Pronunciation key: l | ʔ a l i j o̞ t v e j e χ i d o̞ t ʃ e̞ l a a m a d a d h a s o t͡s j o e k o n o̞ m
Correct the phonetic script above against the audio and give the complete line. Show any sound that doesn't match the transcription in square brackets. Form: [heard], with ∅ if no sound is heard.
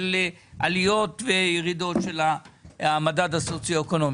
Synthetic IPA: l | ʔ a l i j o̞ t v e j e [ʁ] i d o̞ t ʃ e̞ l a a m a d a d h a s o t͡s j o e k o n o̞ m